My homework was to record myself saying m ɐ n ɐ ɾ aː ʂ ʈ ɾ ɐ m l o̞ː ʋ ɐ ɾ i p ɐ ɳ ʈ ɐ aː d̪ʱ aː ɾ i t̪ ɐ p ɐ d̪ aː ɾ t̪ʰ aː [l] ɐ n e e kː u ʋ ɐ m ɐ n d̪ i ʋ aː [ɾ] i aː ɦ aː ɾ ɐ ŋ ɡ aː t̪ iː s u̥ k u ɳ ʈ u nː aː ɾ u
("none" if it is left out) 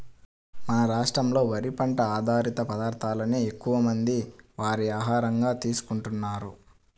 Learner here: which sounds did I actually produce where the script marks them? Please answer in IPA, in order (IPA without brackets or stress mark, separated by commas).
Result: l, ɾ